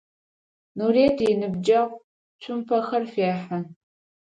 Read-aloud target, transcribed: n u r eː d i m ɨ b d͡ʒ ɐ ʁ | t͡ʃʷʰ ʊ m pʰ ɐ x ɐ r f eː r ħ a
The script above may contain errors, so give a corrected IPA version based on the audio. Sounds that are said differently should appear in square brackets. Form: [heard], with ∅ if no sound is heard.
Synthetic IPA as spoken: n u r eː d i [n] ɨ b d͡ʒ ɐ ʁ | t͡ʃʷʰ ʊ m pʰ ɐ x ɐ r f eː [∅] ħ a